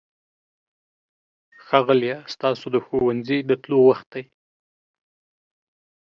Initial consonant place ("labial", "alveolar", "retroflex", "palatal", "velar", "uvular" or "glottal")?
velar